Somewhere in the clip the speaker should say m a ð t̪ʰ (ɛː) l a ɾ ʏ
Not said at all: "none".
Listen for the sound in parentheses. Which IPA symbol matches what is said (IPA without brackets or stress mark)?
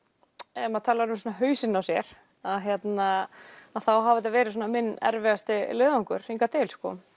aː